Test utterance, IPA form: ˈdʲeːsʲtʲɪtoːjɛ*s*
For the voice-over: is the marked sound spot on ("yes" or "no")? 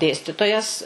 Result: yes